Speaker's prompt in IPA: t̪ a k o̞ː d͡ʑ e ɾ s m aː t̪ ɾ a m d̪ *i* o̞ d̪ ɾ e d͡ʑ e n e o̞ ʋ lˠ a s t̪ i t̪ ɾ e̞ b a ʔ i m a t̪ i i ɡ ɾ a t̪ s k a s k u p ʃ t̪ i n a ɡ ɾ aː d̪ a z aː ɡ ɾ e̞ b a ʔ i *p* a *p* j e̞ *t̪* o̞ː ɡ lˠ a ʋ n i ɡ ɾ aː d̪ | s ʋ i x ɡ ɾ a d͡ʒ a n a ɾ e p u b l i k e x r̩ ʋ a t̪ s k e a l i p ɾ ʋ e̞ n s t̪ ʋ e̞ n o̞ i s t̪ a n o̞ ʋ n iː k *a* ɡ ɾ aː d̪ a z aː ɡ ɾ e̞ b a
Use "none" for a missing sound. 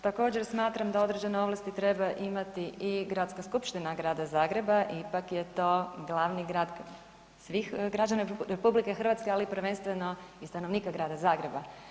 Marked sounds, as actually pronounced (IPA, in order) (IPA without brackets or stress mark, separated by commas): a, p, k, t̪, a